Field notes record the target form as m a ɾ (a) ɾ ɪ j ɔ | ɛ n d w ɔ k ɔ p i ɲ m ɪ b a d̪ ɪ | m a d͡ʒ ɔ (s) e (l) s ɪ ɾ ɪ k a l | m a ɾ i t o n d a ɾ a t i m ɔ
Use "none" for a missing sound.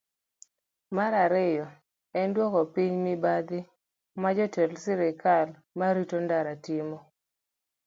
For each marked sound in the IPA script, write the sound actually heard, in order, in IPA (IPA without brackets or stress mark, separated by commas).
a, t, l